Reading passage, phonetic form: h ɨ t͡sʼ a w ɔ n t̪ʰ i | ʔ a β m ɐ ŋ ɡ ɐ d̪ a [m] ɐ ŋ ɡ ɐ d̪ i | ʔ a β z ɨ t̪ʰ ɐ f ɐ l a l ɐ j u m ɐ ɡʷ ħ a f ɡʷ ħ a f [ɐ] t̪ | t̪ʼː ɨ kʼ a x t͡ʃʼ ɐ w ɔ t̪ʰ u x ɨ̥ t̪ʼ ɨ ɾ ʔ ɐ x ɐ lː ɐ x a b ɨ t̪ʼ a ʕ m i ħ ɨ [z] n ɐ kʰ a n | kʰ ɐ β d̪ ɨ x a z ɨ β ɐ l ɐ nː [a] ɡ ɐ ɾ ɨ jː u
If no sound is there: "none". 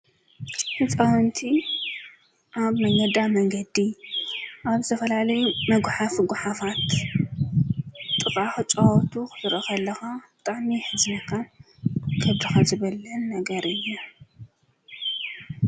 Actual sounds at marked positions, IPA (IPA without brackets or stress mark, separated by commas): m, a, z, ɐ